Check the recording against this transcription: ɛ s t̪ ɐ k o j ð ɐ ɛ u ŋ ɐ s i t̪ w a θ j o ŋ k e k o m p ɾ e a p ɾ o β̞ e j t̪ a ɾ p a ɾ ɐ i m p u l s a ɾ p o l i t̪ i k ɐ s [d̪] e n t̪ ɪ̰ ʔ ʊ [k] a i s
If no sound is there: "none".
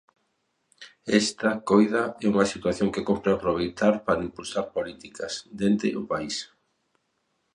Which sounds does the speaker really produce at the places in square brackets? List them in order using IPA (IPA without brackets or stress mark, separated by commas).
d̪, p